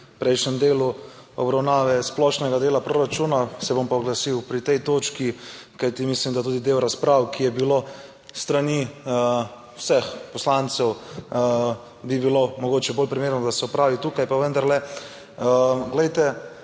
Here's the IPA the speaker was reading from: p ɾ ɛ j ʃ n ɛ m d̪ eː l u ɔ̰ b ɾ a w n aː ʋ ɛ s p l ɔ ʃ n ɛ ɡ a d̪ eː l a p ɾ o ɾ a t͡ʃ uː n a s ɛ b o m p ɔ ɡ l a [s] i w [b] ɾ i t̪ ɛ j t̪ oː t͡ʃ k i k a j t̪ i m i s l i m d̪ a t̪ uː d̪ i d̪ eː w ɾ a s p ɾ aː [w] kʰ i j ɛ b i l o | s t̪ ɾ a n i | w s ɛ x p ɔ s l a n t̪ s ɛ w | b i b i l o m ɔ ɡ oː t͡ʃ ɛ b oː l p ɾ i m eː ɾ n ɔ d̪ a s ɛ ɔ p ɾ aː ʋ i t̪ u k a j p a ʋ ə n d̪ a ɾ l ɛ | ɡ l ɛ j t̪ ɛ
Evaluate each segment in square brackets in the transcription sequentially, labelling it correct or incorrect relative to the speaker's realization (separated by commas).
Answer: correct, incorrect, correct